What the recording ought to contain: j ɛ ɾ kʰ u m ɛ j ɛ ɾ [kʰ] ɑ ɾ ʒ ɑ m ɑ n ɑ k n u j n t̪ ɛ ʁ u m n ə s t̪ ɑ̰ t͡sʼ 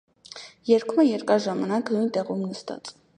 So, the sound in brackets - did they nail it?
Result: no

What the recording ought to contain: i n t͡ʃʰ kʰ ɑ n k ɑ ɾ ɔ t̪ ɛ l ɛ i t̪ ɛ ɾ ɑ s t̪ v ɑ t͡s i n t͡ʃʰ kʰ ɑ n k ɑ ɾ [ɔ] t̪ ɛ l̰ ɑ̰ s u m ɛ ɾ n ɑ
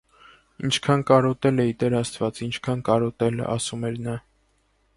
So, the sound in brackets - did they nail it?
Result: yes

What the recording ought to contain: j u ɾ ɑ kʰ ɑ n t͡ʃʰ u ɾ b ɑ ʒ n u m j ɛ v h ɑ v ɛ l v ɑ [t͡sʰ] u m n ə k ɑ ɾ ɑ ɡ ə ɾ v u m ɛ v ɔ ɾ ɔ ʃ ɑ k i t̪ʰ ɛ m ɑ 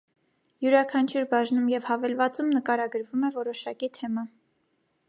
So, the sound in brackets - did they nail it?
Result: no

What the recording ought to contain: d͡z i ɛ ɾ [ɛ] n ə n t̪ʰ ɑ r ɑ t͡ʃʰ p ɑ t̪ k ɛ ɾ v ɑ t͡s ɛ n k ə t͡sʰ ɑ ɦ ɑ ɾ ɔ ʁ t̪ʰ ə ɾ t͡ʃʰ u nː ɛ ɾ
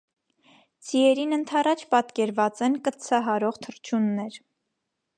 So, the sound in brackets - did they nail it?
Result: no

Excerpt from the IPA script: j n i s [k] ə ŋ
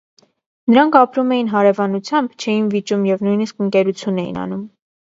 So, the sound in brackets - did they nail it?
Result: yes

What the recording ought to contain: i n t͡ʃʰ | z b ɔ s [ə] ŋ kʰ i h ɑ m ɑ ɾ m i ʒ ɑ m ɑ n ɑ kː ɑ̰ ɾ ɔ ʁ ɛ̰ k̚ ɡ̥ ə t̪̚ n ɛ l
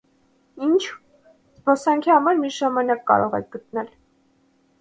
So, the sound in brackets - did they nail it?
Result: no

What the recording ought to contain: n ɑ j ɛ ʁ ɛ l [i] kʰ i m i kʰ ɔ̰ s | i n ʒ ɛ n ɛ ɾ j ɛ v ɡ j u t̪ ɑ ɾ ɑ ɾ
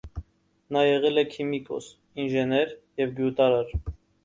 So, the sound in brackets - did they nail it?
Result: no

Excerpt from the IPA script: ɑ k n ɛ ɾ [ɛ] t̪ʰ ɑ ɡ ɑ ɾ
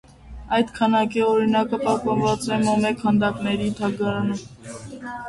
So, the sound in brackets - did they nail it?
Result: no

